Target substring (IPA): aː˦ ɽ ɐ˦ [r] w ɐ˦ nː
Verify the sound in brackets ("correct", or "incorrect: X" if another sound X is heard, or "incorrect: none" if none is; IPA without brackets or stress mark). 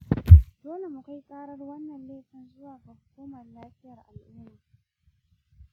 correct